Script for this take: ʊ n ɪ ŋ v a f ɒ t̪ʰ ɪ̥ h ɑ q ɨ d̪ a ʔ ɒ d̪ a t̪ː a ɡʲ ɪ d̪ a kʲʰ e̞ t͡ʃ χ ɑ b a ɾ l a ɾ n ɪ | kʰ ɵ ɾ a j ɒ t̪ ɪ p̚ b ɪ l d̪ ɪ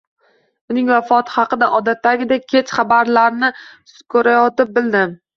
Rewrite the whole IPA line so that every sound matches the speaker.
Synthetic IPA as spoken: ʊ n ɪ ŋ v a f ɒ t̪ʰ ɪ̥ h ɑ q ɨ d̪ a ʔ ɒ d̪ a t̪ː a ɡʲ ɪ d̪ a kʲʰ e̞ t͡ʃ χ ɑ b a ɾ l a ɾ n ɪ | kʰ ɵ ɾ a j ɒ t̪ ɪ p̚ b ɪ l d̪ ɪ